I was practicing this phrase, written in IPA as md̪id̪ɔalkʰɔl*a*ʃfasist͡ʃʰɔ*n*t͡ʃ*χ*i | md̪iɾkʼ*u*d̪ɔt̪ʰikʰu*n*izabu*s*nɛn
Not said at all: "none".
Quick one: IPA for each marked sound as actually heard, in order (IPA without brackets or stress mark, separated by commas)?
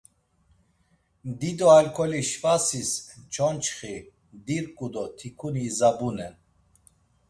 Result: i, n, χ, u, n, none